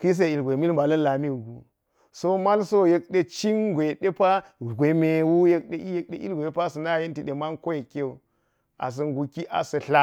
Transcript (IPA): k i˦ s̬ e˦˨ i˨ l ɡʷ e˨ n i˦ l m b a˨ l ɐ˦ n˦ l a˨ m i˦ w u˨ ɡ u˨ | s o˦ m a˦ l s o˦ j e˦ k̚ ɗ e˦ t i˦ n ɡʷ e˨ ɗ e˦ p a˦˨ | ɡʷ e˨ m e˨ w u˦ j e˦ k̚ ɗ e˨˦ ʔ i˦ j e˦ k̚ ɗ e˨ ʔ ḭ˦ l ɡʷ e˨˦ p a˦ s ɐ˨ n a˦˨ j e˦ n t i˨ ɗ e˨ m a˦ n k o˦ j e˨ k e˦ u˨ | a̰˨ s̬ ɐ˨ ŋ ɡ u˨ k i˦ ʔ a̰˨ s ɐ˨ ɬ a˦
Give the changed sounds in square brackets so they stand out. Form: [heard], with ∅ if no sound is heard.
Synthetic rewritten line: k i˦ s̬ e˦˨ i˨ l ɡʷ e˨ [m] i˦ l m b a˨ l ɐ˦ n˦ l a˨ m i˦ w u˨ ɡ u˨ | s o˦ m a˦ l s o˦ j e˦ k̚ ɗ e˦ [t͡ʃ] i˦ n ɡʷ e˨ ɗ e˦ p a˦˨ | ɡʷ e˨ m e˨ w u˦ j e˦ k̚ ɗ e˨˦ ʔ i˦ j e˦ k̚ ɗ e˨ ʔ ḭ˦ l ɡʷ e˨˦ p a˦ s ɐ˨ n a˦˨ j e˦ n t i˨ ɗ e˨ m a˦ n k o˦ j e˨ k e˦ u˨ | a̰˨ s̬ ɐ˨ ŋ ɡ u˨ k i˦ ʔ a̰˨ s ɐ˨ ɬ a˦

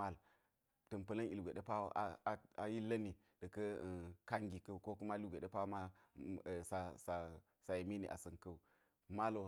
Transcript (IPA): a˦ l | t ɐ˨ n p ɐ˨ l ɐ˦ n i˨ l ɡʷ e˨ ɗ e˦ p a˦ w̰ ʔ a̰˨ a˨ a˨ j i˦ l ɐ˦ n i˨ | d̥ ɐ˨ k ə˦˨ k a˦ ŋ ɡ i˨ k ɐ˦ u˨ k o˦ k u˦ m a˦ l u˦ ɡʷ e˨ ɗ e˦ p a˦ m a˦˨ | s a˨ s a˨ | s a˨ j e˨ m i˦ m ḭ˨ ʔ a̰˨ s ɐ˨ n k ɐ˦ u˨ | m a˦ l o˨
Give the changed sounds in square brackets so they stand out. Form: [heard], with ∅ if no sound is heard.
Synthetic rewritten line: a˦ l | t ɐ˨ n p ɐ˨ l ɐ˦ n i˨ l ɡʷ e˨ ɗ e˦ p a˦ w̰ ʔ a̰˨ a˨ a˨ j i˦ l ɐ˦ n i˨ | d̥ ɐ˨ k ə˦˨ k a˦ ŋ ɡ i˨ k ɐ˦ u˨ k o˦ k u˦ m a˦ l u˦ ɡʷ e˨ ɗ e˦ p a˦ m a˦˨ | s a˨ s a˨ | s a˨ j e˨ m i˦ [n] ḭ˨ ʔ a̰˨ s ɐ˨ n k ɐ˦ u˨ | m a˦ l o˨

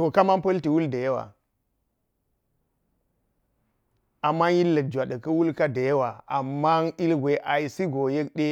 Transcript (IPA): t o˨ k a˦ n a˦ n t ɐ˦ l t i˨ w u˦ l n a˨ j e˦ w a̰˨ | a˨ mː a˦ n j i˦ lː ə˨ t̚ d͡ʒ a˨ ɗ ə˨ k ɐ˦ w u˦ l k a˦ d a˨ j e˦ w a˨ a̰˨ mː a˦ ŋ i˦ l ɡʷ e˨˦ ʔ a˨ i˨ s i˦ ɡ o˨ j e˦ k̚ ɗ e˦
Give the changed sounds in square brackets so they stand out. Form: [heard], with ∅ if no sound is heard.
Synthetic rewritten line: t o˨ k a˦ [m] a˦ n [p] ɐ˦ l t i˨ w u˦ l [d] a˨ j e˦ w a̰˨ | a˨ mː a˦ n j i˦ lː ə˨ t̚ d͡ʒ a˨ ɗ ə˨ k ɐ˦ w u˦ l k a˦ d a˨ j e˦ w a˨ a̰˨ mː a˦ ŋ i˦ l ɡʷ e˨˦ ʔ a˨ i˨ s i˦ ɡ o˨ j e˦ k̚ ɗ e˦

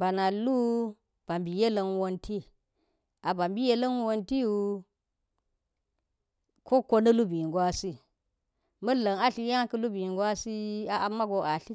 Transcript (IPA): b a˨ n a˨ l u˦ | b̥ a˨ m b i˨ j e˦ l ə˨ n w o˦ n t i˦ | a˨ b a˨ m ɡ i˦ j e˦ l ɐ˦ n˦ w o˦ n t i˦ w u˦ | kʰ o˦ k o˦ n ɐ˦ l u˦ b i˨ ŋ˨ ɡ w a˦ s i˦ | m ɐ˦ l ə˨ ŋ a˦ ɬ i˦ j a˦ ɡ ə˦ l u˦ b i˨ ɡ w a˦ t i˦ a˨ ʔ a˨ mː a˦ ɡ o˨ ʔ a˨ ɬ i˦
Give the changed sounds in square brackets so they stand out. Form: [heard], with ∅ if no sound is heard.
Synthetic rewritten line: b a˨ n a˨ l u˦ | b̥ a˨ m b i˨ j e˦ l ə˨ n w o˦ n t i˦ | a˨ b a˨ m [b] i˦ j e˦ l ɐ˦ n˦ w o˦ n t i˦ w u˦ | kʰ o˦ k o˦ n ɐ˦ l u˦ b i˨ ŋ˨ ɡ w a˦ s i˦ | m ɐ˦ l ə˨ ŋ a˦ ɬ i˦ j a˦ [k] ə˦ l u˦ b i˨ ɡ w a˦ [s] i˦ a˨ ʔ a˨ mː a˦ ɡ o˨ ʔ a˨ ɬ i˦

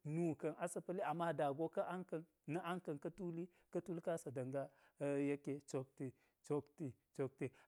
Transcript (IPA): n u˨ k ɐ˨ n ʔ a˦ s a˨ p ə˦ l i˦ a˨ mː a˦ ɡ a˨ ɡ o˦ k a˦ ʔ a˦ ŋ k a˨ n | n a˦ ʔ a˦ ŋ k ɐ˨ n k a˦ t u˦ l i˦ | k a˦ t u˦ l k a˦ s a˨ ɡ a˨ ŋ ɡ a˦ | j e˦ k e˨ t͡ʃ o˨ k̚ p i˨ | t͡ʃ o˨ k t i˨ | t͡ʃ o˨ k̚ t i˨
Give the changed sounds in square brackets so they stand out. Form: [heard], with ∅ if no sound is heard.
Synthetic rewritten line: n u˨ k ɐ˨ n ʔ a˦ s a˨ p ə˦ l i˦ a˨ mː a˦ [d] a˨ ɡ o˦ k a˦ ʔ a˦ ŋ k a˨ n | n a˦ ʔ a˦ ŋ k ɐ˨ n k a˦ t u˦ l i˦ | k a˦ t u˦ l k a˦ s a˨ [d] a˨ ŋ ɡ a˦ | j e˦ k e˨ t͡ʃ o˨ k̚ [t] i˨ | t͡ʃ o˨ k t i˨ | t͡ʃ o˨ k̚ t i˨

